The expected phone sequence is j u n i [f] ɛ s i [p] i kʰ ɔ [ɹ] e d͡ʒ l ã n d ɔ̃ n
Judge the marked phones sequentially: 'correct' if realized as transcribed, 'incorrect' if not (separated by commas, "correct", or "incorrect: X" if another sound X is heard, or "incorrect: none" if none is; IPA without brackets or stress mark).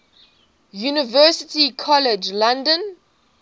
incorrect: v, incorrect: t, incorrect: l